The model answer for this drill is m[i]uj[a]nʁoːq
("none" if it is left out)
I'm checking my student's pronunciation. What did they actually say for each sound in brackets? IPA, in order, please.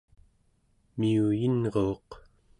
i, i

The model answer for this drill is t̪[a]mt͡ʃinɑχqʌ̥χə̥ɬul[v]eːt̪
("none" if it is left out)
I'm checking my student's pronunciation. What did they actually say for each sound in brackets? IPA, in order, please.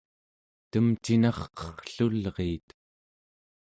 ə, ʁ

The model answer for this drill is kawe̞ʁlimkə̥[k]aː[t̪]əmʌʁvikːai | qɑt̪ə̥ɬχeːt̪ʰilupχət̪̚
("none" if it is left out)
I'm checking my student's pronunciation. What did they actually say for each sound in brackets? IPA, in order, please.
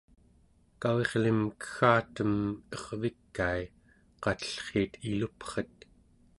x, t̪

